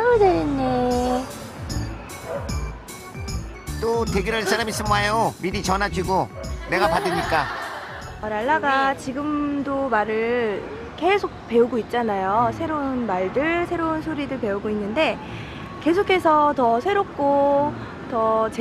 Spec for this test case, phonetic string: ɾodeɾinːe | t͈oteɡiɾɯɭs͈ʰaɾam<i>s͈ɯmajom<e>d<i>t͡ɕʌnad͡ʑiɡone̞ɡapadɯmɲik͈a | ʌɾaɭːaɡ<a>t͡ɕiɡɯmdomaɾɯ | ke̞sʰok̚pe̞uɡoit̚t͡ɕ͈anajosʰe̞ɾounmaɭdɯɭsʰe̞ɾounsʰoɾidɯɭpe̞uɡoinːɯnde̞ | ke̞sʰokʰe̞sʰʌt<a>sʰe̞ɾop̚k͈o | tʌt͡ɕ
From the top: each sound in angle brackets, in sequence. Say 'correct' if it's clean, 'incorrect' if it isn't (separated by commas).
correct, incorrect, correct, correct, incorrect